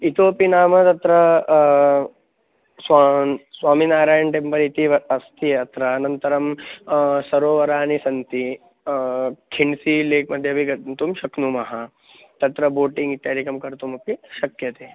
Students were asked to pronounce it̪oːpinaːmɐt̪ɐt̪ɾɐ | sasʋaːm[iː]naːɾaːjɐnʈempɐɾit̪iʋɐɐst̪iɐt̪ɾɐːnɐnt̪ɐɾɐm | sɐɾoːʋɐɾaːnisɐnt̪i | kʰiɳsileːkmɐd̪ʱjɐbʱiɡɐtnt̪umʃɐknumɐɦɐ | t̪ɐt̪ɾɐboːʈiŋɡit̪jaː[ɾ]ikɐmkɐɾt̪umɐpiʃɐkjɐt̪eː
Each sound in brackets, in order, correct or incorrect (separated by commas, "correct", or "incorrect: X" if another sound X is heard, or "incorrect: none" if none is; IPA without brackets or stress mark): incorrect: i, correct